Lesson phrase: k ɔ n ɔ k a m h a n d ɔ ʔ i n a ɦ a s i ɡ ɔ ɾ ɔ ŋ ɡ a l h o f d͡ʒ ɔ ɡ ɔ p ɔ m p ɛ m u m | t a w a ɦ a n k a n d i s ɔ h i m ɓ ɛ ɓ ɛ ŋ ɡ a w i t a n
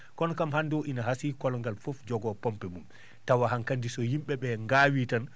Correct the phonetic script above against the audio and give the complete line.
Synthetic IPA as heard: k ɔ n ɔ k a m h a n d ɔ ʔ i n a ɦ a s i k ɔ l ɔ ŋ ɡ a l f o f d͡ʒ ɔ ɡ ɔ p ɔ m p ɛ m u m | t a w a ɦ a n k a n d i s ɔ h i m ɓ ɛ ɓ ɛ ŋ ɡ a w i t a n